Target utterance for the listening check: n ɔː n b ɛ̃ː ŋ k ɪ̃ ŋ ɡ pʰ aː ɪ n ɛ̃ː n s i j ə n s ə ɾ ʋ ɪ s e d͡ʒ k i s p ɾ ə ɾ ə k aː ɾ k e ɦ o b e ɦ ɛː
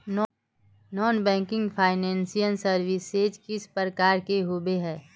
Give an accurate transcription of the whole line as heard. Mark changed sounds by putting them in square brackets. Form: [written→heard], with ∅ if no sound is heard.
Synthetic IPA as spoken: n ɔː n b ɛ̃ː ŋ k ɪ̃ ŋ ɡ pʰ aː ɪ n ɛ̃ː n s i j ə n s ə ɾ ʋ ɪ s e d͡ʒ k [i→ɪ] s p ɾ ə ɾ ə k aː ɾ k e ɦ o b e ɦ ɛː